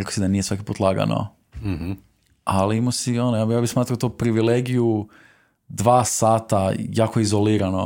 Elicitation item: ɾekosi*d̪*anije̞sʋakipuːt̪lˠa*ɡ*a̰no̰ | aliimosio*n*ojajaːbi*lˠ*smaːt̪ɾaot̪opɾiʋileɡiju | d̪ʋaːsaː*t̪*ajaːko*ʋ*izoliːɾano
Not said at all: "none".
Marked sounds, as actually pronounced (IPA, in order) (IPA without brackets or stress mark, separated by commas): d̪, ɡ, n, none, t̪, none